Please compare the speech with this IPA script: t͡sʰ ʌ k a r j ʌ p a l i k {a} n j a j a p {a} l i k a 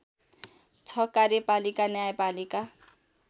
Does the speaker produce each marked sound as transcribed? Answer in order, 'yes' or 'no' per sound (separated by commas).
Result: yes, yes